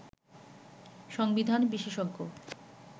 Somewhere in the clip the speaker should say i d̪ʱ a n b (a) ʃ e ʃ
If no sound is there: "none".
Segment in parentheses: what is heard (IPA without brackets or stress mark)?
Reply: i